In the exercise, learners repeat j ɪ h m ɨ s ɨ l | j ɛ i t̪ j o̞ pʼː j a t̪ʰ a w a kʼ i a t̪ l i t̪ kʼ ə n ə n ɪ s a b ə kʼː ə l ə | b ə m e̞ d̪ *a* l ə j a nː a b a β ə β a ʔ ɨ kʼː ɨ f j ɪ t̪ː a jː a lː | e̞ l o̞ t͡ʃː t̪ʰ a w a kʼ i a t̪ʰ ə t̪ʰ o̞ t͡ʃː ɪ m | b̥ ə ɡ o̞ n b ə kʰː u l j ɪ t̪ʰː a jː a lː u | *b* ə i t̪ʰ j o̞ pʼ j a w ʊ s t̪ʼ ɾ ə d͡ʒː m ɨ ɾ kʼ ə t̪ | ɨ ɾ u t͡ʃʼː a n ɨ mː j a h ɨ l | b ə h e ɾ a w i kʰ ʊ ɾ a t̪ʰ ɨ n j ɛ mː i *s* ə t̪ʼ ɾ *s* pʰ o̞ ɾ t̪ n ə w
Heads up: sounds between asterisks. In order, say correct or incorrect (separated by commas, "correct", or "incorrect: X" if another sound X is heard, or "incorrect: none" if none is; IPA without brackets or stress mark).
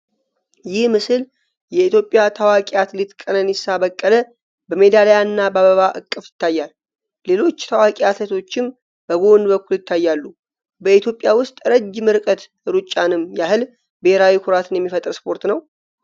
correct, correct, incorrect: f, correct